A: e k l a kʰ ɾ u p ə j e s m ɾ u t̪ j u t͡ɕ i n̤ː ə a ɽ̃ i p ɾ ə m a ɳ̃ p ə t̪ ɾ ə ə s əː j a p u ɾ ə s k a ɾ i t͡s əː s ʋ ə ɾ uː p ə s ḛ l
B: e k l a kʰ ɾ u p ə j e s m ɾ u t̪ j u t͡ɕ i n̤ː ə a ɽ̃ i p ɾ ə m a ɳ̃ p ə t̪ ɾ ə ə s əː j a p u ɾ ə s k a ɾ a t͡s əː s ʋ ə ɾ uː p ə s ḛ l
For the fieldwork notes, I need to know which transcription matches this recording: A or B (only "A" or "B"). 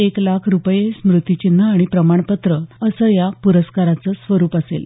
B